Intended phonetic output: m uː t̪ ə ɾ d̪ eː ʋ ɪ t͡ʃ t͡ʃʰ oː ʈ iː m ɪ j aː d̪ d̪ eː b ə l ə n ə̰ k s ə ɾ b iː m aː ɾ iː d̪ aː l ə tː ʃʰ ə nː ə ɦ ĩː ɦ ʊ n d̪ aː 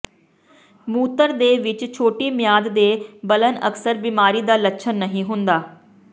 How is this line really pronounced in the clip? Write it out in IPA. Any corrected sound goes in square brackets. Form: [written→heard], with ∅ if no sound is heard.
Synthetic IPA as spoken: m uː t̪ ə ɾ d̪ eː ʋ ɪ t͡ʃ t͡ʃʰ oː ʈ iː m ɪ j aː d̪ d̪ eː b ə l ə n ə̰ k s ə ɾ b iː m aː ɾ iː d̪ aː l ə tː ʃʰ ə nː ə ɦ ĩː ɦ ʊ n d̪ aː